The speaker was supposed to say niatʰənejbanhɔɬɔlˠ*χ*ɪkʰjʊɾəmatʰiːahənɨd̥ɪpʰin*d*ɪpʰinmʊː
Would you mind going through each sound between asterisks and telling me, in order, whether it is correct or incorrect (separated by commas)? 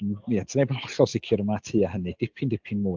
incorrect, correct